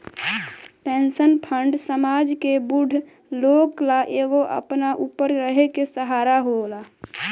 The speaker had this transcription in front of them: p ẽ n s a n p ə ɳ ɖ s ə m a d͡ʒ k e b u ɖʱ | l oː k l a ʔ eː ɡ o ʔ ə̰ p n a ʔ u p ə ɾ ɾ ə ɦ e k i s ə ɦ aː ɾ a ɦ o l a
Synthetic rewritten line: p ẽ n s ə n pʰ ə ɳ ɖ s ə m a d͡ʒ k e b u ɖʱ | l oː k l a ʔ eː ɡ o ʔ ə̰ p n a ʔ u p ə ɾ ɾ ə ɦ e k e s ə ɦ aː ɾ a ɦ o l a